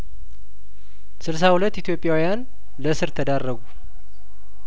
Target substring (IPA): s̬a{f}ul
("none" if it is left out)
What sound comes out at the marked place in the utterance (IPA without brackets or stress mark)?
h